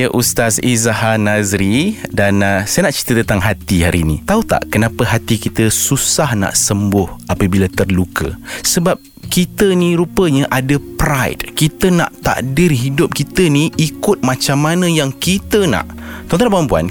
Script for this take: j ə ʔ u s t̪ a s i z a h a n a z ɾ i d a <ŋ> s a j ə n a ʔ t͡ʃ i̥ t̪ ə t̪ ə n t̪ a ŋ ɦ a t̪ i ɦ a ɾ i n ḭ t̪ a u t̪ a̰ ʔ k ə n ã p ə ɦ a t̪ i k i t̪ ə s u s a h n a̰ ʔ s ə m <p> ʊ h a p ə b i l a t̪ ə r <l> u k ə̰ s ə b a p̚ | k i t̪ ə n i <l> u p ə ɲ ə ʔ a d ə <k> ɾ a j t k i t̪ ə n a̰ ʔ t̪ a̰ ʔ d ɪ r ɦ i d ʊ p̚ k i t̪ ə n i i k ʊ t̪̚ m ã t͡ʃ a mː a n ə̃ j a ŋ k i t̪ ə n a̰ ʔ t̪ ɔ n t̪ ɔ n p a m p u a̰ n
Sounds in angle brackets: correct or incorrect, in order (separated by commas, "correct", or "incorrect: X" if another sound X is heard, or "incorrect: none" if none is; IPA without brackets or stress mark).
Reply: incorrect: n, incorrect: b, correct, incorrect: ɾ, incorrect: p